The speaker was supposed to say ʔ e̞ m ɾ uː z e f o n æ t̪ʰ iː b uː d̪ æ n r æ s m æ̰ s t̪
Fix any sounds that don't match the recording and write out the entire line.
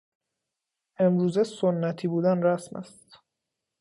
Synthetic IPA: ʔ e̞ m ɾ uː z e s o nː æ t̪ʰ iː b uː d̪ æ n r æ s m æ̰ s t̪

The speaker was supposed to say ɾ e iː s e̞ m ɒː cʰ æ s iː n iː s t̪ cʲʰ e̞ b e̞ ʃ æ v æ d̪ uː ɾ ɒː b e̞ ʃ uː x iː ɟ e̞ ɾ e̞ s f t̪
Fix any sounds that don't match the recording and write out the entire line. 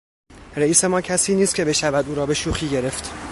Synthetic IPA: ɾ e iː s e̞ m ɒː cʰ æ s iː n iː s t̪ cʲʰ e̞ b e̞ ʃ æ v æ d̪ uː ɾ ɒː b e̞ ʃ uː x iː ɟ e̞ ɾ e̞ f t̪

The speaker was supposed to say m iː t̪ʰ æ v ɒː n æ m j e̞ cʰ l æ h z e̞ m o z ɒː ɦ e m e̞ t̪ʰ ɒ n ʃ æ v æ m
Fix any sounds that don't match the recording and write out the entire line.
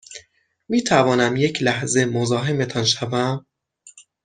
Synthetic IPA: m iː t̪ʰ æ v ɒː n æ m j e̞ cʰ l æ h z e̞ m o z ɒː ɦ e m e̞ t̪ʰ ɒ n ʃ æ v æ m

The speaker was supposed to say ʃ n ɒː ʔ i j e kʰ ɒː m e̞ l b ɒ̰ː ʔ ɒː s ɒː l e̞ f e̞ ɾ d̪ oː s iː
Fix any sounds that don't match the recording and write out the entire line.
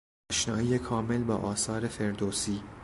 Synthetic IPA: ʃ n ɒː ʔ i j e kʰ ɒː m e̞ l b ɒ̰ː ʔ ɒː s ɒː ɾ e̞ f e̞ ɾ d̪ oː s iː

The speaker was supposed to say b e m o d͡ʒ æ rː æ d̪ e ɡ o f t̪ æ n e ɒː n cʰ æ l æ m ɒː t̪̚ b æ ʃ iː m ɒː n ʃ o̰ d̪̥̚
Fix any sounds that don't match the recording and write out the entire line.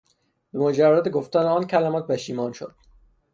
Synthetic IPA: b e m o d͡ʒ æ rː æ d̪ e ɡ o f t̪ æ n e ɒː n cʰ æ l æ m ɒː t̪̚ b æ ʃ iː m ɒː n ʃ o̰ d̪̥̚

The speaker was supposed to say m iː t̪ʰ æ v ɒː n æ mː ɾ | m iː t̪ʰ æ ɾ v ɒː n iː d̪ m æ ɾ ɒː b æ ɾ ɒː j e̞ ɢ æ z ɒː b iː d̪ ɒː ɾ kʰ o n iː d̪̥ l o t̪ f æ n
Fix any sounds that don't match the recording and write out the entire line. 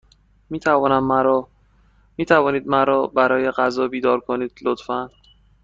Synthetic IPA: m iː t̪ʰ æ v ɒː n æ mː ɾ | m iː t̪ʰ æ v ɒː n iː d̪ m æ ɾ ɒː b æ ɾ ɒː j e̞ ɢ æ z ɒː b iː d̪ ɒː ɾ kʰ o n iː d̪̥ l o t̪ f æ n

